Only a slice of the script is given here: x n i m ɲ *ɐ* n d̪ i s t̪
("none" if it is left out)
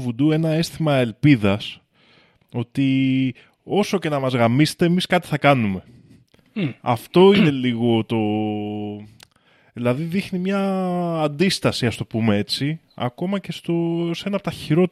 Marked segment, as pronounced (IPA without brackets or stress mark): ɐː